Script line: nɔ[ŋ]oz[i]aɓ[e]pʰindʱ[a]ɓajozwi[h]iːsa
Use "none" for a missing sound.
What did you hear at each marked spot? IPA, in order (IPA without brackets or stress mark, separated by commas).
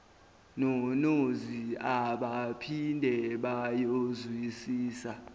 n, i, a, ɛ, s